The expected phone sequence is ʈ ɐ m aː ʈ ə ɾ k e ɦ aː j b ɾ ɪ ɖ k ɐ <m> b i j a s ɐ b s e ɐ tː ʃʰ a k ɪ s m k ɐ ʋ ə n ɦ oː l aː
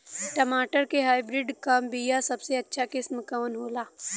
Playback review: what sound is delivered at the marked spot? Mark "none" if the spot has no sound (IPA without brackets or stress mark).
m